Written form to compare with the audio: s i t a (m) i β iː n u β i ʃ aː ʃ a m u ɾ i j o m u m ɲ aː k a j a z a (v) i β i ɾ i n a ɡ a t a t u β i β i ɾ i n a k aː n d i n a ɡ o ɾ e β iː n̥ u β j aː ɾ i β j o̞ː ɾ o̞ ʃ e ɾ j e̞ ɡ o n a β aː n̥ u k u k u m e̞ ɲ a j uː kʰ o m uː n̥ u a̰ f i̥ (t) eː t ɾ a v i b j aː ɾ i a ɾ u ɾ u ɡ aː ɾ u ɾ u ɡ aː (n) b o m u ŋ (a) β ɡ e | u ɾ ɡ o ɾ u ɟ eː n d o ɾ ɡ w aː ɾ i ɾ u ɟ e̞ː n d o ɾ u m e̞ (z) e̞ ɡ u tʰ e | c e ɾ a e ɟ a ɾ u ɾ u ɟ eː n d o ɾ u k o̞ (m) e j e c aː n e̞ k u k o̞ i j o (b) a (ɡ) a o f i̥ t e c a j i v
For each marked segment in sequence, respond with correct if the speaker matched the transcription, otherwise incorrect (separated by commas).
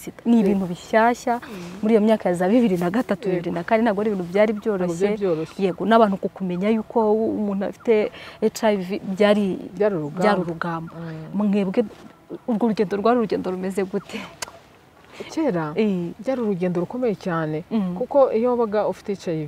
incorrect, incorrect, correct, incorrect, incorrect, correct, correct, incorrect, correct